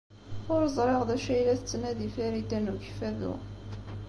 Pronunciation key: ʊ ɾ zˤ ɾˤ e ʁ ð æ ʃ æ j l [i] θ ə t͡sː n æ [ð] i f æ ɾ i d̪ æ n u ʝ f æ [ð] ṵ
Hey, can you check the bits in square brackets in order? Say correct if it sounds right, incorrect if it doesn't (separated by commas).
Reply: incorrect, correct, correct